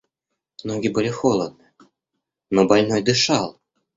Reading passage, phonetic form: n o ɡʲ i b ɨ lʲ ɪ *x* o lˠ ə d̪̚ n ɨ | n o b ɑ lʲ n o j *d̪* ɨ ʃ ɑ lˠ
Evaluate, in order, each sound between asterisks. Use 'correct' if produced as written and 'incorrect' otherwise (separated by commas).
correct, correct